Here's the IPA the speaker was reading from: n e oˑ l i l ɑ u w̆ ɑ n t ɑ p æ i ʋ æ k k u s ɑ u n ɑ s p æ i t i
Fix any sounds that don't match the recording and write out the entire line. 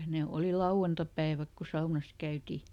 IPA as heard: n e oˑ l i l ɑ u w̆ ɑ n t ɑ p æ i ʋ æ k k u s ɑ u n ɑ s k æ y t i